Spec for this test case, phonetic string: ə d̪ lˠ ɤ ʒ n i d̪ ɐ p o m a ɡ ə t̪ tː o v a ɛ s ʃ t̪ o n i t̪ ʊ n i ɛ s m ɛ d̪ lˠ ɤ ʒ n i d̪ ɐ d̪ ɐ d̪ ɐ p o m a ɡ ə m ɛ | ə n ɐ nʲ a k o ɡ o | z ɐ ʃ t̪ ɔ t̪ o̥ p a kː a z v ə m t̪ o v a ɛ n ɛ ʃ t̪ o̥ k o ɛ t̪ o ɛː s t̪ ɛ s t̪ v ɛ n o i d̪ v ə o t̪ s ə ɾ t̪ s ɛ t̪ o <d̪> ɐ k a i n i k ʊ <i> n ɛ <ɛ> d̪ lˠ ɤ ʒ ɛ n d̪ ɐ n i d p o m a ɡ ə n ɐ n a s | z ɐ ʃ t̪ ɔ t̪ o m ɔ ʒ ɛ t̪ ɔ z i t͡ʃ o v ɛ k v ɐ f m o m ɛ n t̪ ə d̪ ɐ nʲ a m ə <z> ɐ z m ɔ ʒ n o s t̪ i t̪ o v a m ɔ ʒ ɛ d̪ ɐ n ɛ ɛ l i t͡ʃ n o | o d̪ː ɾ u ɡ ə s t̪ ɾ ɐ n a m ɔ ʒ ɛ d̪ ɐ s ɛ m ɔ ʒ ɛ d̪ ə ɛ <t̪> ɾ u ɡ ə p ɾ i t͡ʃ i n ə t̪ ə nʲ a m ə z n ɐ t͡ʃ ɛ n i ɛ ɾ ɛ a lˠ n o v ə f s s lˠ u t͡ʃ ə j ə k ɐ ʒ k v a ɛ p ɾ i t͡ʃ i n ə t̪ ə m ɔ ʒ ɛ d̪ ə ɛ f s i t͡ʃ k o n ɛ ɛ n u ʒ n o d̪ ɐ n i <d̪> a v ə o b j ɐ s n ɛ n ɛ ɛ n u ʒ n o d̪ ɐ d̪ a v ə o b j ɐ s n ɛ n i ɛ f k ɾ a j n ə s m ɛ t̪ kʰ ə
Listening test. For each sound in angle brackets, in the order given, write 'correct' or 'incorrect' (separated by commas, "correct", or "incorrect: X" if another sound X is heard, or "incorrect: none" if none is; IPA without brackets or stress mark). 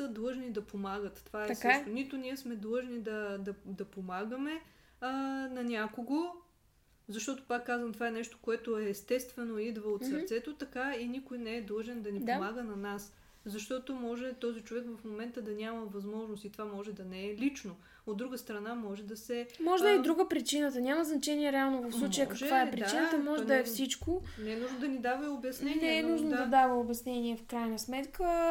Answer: incorrect: t̪, incorrect: j, correct, incorrect: v, incorrect: d̪, correct